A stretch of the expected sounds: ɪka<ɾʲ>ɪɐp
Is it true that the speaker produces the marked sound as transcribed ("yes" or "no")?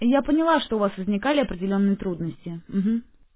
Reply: no